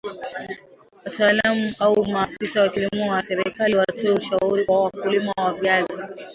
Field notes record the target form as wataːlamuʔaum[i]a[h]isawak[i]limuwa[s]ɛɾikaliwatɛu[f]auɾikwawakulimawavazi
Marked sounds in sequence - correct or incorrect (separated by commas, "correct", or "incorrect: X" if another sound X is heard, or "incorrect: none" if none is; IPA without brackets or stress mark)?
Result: incorrect: a, incorrect: f, correct, correct, incorrect: ʃ